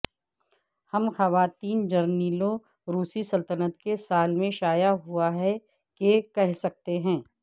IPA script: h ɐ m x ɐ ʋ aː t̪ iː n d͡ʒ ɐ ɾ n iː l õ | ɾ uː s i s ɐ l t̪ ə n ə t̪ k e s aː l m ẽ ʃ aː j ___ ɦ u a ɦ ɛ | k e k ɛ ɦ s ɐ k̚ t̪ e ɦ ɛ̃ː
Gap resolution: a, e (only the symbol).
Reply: a